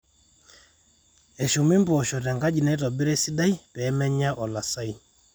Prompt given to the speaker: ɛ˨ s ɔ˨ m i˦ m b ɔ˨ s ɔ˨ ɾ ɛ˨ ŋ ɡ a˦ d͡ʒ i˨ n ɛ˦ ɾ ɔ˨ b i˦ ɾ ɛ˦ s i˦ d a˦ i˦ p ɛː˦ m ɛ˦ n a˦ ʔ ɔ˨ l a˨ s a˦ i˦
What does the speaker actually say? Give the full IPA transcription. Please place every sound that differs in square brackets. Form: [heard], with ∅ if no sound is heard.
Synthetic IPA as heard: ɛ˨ [ʃ] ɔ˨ m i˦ m b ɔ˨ [ʃ] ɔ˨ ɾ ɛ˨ ŋ ɡ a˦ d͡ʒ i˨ n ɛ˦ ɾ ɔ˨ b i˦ ɾ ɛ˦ s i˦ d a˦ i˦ p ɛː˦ m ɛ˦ [ɲ] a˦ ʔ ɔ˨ l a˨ s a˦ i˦

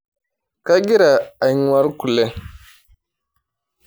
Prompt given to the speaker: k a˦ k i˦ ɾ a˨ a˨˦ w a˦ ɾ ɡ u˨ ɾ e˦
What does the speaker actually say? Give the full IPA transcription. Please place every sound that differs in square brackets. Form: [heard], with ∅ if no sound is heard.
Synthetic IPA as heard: k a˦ [ɡ] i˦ ɾ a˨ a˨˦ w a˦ ɾ [k] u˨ [l] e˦

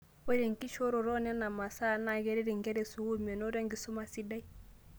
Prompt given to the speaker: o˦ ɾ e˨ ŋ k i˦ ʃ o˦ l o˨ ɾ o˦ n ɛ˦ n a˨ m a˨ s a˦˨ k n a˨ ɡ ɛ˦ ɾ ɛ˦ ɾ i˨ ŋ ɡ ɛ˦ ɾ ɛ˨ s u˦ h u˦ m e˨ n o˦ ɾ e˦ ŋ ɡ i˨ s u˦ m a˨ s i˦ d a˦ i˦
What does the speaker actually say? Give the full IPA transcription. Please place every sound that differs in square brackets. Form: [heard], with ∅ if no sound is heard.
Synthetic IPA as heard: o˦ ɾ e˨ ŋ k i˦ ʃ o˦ [ɾ] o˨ ɾ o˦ n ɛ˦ n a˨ m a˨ s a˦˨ [∅] n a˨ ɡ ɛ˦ ɾ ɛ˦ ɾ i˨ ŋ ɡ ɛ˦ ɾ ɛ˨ s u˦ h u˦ m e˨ n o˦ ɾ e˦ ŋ ɡ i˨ s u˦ m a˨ s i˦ d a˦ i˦

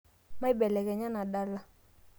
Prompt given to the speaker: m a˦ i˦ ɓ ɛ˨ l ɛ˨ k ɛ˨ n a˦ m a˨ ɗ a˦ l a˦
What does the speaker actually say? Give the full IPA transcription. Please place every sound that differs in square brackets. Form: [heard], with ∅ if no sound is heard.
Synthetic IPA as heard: m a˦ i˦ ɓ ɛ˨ l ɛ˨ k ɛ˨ [ɲ] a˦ [n] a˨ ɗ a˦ l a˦

